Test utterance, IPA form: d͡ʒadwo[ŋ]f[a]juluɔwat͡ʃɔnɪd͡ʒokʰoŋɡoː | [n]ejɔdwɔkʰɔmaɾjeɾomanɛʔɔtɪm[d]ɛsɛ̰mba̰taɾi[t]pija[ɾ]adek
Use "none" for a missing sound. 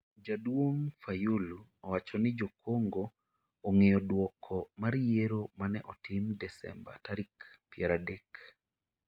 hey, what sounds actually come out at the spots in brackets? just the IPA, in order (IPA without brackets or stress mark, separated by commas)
ŋ, a, ŋ, d, k, ɾ